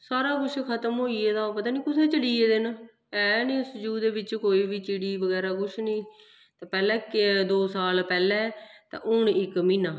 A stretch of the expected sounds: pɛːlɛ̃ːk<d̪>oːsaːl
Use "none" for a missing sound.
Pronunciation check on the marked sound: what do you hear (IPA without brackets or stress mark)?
d̪